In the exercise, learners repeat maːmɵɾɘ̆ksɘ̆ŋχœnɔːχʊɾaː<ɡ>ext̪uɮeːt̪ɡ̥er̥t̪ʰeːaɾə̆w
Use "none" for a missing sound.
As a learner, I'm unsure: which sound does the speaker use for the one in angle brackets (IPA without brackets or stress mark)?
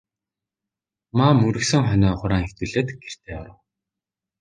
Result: ŋ